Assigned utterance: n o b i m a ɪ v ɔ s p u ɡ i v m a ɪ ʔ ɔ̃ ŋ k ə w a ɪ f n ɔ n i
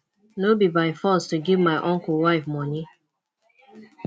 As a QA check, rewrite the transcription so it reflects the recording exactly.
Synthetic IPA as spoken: n o b i b a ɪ f ɔ s t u ɡ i v m a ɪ ʔ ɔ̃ ŋ k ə w a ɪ f m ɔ n i